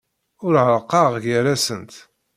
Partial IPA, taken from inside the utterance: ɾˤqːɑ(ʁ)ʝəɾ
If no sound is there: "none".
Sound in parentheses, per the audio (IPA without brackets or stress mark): ʁ